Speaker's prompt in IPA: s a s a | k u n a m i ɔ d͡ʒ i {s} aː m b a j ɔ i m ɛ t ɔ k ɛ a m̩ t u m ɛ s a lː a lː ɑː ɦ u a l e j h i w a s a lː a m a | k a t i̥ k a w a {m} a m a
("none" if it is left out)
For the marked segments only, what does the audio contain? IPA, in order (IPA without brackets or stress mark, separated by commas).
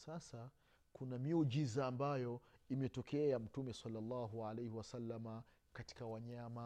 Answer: z, ɲ